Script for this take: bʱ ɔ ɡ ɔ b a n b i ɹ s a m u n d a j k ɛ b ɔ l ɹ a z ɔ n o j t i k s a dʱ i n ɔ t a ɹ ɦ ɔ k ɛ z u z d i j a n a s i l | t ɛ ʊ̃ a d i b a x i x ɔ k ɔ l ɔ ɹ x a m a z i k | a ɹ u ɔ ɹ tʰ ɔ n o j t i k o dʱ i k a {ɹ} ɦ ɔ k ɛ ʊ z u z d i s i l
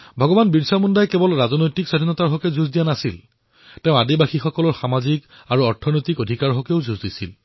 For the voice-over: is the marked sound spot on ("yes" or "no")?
yes